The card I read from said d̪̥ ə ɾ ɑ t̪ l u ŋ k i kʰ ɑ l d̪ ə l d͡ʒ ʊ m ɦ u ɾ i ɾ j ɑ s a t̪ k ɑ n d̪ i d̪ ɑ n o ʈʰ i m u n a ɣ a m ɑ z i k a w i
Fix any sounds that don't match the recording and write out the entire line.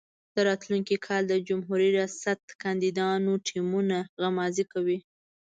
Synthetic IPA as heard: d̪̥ ə ɾ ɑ t̪ l u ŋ k i kʰ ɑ l d̪ ə d͡ʒ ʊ m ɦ u ɾ i ɾ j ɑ s a t̪ k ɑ n d̪ i d̪ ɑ n o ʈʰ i m u n a ɣ a m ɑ z i k a w i